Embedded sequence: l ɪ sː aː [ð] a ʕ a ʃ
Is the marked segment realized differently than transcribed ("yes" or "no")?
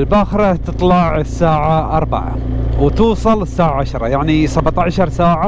yes